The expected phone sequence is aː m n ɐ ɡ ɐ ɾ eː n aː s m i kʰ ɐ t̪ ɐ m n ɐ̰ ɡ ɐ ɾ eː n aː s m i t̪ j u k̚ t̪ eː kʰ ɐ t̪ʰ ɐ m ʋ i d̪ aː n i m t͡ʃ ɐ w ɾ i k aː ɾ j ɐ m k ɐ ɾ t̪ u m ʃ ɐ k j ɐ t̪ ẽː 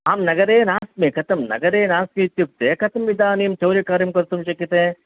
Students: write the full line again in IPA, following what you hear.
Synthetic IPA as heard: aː m n ɐ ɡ ɐ ɾ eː n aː s m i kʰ ɐ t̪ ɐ m n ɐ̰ ɡ ɐ ɾ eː n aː s m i t̪ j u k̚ t̪ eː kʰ ɐ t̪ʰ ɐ m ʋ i d̪ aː n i m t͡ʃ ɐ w ɾ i k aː ɾ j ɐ m k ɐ ɾ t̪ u m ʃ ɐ k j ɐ t̪ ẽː